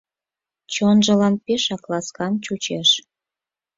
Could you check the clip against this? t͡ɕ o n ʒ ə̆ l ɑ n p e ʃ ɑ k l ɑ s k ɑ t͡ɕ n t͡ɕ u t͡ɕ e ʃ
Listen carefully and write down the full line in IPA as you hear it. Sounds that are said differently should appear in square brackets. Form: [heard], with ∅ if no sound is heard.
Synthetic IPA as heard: t͡ɕ o n ʒ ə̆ l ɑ n p e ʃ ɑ k l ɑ s k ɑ [∅] n t͡ɕ u t͡ɕ e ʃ